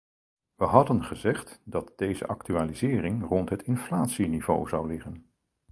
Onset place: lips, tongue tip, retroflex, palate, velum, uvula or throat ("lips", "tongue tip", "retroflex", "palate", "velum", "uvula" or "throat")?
lips